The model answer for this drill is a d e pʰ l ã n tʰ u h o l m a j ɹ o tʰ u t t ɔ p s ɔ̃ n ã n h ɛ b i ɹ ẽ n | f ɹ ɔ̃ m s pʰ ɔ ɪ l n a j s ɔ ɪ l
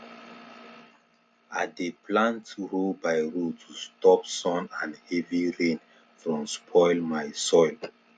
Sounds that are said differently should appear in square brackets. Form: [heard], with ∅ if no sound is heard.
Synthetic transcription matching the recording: a d e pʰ l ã n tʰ u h o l [b] a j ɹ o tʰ u [s] t ɔ p s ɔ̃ n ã n h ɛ [v] i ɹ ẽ n | f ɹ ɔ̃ m s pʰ ɔ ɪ l [m] a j s ɔ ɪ l